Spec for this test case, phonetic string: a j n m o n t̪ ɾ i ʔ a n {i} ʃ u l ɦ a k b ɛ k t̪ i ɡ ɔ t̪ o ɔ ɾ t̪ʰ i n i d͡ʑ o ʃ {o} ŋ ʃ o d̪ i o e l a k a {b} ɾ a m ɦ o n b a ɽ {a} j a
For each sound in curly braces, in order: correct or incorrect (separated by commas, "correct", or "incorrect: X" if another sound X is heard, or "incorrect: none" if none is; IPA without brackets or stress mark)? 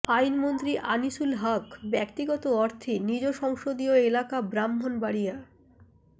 correct, incorrect: ɔ, correct, incorrect: i